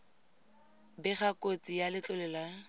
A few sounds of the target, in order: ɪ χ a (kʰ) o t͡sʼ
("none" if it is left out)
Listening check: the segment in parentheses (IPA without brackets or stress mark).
k